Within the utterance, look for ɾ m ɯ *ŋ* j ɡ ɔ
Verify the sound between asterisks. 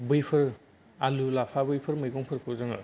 incorrect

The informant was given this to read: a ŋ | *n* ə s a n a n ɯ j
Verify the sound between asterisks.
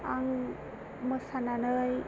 incorrect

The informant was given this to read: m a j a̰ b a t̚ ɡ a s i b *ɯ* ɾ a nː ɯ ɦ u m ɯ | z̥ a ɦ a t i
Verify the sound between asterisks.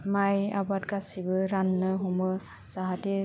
correct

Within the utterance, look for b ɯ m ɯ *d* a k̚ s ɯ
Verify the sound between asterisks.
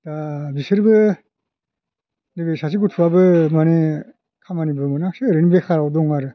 incorrect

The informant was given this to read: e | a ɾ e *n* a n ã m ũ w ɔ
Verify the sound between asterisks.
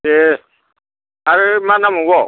incorrect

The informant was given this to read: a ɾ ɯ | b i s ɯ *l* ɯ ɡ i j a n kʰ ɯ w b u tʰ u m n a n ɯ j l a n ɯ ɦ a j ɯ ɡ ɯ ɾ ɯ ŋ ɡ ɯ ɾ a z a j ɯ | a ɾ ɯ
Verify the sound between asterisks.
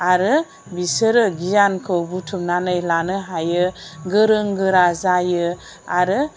incorrect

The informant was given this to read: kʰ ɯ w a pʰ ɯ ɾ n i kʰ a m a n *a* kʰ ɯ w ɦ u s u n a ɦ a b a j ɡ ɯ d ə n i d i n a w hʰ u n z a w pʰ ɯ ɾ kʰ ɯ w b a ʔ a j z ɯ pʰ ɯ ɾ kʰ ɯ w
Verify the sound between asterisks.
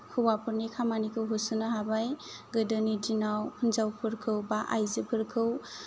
incorrect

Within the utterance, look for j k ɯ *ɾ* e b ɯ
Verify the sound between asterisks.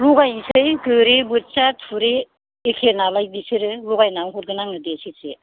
correct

